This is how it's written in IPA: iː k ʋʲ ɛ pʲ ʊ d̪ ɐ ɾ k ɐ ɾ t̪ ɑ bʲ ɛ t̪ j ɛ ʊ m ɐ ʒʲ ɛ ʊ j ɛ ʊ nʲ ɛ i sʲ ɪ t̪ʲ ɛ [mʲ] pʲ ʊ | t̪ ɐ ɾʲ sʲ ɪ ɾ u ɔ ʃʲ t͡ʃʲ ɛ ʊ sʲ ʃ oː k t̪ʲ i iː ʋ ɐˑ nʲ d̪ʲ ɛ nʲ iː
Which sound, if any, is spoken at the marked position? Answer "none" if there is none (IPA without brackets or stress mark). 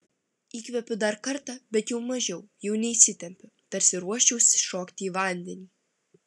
mʲ